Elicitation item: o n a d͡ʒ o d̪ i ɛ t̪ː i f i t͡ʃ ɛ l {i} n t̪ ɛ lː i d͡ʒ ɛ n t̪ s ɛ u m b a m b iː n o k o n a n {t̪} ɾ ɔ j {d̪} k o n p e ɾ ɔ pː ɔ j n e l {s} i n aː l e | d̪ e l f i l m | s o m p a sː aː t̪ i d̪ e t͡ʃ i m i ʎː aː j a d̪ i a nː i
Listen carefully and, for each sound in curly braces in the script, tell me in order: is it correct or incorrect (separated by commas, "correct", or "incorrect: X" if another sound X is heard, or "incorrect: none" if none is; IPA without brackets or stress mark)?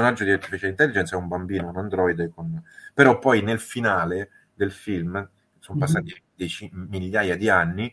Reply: correct, incorrect: d̪, correct, incorrect: f